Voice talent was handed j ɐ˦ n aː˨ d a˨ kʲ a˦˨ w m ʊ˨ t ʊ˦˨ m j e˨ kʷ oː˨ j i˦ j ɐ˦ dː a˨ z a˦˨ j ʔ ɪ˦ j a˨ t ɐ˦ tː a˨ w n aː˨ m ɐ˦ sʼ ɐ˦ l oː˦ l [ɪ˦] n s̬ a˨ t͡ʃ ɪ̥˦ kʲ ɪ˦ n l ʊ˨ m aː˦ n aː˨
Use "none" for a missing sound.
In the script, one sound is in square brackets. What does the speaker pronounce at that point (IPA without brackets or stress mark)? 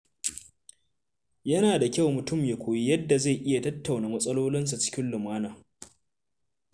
ɪ˦